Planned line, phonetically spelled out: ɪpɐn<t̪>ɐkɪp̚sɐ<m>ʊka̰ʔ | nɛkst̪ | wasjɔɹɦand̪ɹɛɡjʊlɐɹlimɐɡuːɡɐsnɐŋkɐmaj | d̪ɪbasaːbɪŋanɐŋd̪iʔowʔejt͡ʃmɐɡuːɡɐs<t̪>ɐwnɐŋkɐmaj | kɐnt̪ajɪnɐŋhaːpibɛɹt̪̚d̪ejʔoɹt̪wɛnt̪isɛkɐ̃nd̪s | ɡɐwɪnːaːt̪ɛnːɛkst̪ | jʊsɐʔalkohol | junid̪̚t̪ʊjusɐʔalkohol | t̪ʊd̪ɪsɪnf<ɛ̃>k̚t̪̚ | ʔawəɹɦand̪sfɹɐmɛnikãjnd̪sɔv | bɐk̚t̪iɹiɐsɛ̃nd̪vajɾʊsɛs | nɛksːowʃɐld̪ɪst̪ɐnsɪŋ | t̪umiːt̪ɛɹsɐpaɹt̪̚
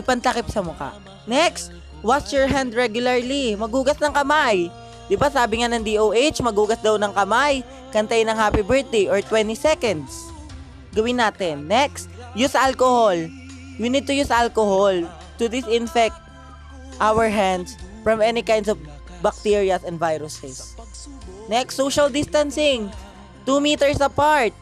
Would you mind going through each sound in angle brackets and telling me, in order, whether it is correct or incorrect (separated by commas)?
correct, correct, incorrect, incorrect